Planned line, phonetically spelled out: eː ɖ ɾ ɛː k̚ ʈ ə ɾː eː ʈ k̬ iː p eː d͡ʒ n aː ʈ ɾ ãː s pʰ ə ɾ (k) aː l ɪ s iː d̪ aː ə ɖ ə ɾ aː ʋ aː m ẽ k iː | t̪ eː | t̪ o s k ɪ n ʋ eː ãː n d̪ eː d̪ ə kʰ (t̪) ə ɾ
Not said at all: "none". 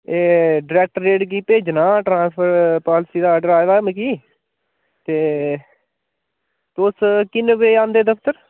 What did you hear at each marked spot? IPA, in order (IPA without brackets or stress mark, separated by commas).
p, t̪